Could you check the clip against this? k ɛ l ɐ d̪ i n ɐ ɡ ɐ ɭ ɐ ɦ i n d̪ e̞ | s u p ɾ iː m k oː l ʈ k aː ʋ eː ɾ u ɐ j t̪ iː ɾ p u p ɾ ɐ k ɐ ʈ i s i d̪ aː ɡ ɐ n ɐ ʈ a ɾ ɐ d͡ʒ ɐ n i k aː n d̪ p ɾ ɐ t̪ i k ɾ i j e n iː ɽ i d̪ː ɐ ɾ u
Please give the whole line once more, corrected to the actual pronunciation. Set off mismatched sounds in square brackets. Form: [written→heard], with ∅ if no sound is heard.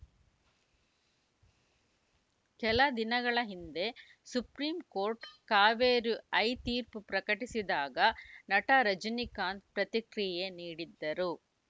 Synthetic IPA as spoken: k ɛ l ɐ d̪ i n ɐ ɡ ɐ ɭ ɐ ɦ i n d̪ e̞ | s u p ɾ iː m k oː [l→ɾ] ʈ k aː ʋ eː ɾ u ɐ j t̪ iː ɾ p u p ɾ ɐ k ɐ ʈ i s i d̪ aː ɡ ɐ n ɐ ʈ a ɾ ɐ d͡ʒ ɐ n i k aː n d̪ p ɾ ɐ t̪ i k ɾ i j e n iː ɽ i d̪ː ɐ ɾ u